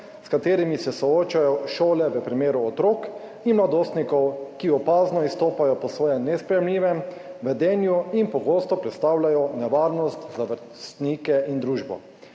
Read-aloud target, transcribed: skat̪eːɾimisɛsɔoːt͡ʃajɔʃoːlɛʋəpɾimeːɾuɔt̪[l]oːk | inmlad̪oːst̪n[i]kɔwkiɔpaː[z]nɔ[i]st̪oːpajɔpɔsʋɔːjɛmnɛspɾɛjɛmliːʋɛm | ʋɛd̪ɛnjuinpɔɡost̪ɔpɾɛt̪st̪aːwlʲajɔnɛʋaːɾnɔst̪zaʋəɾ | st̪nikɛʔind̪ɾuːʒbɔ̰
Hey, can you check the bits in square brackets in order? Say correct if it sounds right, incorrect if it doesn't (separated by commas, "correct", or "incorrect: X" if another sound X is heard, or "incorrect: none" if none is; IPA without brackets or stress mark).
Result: incorrect: ɾ, correct, correct, correct